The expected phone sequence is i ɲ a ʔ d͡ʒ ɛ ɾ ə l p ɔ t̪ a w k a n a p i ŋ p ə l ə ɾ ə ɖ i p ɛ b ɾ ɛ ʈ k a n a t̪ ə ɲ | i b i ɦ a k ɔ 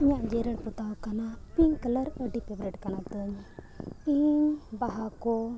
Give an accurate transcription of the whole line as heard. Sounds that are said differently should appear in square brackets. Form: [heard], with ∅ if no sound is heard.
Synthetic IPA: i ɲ a ʔ d͡ʒ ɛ ɾ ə [ɽ] p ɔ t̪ a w k a n a p i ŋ [k] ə l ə ɾ ə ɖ i p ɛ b ɾ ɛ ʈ k a n a t̪ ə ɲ | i b [a] ɦ a k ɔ